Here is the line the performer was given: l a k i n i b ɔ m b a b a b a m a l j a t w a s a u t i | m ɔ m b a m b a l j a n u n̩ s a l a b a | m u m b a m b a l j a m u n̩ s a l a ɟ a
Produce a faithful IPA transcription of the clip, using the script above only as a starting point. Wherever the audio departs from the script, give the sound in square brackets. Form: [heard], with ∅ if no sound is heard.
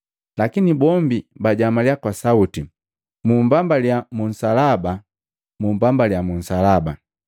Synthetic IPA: l a k i n i b ɔ m b [i] b a [ɟ] a m a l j a [k] w a s a u t i | m [u] m b a m b a l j a [m] u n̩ s a l a b a | m u m b a m b a l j a m u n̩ s a l a [b] a

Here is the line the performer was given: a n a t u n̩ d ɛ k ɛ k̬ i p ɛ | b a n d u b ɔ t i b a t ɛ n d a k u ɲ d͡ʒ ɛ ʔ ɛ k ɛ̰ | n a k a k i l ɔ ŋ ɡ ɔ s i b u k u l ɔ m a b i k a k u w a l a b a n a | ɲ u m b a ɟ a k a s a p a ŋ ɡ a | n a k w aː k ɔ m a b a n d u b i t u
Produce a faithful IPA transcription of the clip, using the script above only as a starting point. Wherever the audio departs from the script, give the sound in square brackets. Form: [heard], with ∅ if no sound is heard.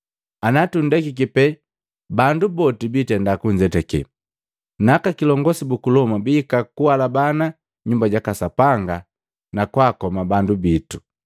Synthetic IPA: a n a t u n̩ d ɛ k [i] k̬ i p ɛ | b a n d u b ɔ t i b [i] t ɛ n d a k u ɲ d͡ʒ ɛ [t] ɛ k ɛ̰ | n a k a k i l ɔ ŋ ɡ ɔ s i b u k u l ɔ m a b i k a k u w a l a b a n a | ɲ u m b a ɟ a k a s a p a ŋ ɡ a | n a k w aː k ɔ m a b a n d u b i t u

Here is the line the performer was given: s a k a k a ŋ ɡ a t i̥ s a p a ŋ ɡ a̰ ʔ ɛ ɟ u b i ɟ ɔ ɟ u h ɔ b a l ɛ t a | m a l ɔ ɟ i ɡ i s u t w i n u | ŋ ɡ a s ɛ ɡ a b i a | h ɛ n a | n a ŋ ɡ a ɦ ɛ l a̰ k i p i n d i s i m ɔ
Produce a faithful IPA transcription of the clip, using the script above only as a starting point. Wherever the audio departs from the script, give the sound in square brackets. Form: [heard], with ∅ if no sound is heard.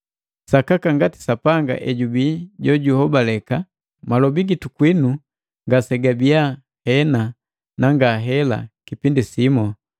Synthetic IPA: s a k a k a ŋ ɡ a t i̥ s a p a ŋ ɡ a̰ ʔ ɛ ɟ u b i ɟ ɔ ɟ u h ɔ b a l ɛ [k] a | m a l ɔ [b] i ɡ i [t] u [k] w i n u | ŋ ɡ a s ɛ ɡ a b i a | h ɛ n a | n a ŋ ɡ a ɦ ɛ l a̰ k i p i n d i s i m ɔ

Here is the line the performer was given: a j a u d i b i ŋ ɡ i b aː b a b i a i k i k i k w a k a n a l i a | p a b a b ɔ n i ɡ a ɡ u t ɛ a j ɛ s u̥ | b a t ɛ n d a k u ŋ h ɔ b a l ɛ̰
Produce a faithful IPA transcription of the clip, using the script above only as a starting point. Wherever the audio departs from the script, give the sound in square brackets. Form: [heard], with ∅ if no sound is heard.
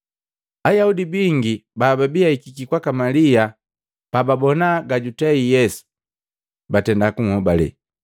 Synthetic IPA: a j a u d i b i ŋ ɡ i b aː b a b i a i k i k i k w a k a [m] a l i a | p a b a b ɔ n [a] ɡ a [ɟ] u t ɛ [i] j ɛ s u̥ | b a t ɛ n d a k u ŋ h ɔ b a l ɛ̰

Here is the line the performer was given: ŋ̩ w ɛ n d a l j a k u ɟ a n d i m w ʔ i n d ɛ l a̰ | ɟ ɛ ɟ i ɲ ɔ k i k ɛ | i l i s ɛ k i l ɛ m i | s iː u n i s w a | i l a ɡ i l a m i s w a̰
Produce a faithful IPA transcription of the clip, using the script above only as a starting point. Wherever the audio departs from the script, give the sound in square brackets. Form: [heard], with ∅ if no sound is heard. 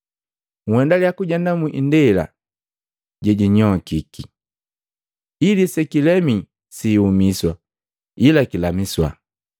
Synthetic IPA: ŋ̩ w ɛ n d a l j a k u ɟ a n d [a] m [u] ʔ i n d ɛ l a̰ | ɟ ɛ ɟ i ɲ ɔ k i k [i] | i l i s ɛ k i l ɛ m i | s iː u [m] i s w a | i l a [k] i l a m i s w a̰

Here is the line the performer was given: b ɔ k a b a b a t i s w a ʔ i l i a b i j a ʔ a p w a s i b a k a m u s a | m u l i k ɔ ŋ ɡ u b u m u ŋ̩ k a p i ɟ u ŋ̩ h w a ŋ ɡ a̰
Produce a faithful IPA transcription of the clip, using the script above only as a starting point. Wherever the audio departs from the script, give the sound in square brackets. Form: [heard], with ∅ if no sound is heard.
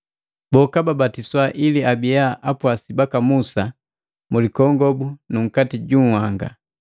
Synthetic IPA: b ɔ k a b a b a t i s w a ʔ i l i a b i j a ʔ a p w a s i b a k a m u s a | m u l i k ɔ ŋ ɡ [ɔ] b u [n] u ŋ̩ k a [t] i ɟ u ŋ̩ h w a ŋ ɡ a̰

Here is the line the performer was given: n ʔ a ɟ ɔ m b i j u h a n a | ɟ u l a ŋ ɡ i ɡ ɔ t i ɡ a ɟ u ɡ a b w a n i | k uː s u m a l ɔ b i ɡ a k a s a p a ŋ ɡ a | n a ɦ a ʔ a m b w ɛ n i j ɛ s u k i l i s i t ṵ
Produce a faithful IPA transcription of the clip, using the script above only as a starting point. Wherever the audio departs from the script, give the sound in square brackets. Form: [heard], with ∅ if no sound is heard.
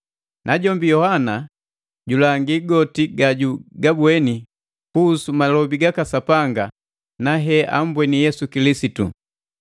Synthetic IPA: n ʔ a ɟ ɔ m b i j [ɔ] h a n a | ɟ u l a ŋ ɡ i ɡ ɔ t i ɡ a ɟ u ɡ a b w [ɛ] n i | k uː s u m a l ɔ b i ɡ a k a s a p a ŋ ɡ a | n a ɦ [ɛ] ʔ a m b w ɛ n i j ɛ s u k i l i s i t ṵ

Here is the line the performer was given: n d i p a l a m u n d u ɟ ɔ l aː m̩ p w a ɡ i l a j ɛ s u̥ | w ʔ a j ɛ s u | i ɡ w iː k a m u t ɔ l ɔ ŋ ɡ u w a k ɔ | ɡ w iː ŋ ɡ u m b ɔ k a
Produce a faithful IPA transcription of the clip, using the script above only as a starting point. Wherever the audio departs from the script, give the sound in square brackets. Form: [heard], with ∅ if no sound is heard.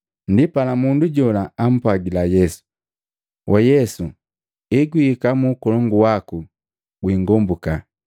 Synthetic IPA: n d i p a l a m u n d u ɟ ɔ l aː m̩ p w a ɡ i l a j ɛ s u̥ | w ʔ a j ɛ s u | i ɡ w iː k a m u [k] ɔ l ɔ ŋ ɡ u w a k [u] | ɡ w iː ŋ ɡ [ɔ] m b [u] k a

